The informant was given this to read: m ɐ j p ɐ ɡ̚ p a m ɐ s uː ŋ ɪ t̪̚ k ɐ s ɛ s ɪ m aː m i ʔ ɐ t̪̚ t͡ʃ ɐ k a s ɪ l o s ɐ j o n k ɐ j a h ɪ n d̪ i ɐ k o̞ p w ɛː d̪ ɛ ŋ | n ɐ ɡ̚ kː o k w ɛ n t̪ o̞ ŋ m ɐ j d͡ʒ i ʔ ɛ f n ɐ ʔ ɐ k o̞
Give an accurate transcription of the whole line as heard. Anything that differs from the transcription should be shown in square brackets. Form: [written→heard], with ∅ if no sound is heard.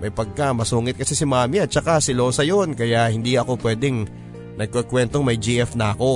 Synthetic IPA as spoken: m ɐ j p ɐ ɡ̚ [p→k] a m ɐ s uː ŋ ɪ t̪̚ k ɐ s ɛ s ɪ m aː m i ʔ ɐ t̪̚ t͡ʃ ɐ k a s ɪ l o s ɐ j o n k ɐ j a h ɪ n d̪ i ɐ k o̞ p w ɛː d̪ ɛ ŋ | n ɐ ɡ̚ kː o k w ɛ n t̪ o̞ ŋ m ɐ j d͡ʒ i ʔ ɛ f n ɐ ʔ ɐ k o̞